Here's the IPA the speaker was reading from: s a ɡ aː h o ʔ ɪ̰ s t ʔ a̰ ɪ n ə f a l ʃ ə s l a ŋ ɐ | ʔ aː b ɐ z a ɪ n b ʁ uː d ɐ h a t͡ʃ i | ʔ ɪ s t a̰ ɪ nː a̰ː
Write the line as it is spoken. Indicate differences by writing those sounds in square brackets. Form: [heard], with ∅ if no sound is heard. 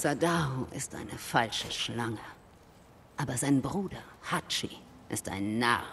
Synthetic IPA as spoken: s a [d] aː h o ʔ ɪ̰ s t ʔ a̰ ɪ n ə f a l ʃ ə [ʃ] l a ŋ [ə] | ʔ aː b ɐ z a ɪ n b ʁ uː d ɐ h a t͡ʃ i | ʔ ɪ s t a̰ ɪ nː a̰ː